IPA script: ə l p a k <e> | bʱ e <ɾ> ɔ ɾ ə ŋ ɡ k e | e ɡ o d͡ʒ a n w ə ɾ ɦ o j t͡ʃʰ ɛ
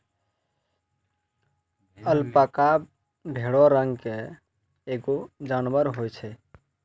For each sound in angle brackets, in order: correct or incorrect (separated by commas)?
incorrect, incorrect